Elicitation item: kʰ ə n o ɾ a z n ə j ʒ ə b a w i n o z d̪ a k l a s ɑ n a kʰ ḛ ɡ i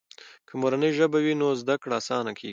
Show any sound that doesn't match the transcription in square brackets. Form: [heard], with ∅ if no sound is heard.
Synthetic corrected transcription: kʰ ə [m] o ɾ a [∅] n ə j ʒ ə b a w i n o z d̪ a k [ɽ] a s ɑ n a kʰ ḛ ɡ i